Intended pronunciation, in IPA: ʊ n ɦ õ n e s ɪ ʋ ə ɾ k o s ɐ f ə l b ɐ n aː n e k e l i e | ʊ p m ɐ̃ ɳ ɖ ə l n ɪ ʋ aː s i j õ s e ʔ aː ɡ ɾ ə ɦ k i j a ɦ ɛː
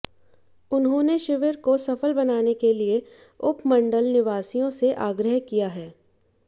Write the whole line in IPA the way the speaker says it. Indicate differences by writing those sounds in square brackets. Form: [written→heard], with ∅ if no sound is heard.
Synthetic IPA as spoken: ʊ n ɦ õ n e [s→ʃ] ɪ ʋ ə ɾ k o s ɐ f ə l b ɐ n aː n e k e l i e | ʊ p m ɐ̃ ɳ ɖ ə l n ɪ ʋ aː s i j õ s e ʔ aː ɡ ɾ ə ɦ k i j a ɦ ɛː